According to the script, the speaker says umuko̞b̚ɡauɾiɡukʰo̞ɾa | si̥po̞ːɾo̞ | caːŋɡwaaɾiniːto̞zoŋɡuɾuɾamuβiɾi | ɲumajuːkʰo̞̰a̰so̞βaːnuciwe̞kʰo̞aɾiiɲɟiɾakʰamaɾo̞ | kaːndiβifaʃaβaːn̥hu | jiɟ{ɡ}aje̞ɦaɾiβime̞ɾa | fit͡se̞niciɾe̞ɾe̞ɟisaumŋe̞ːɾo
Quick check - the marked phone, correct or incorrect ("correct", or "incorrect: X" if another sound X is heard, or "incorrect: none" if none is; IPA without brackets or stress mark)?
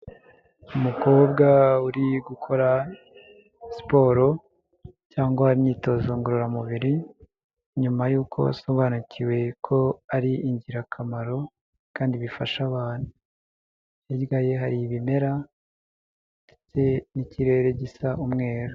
correct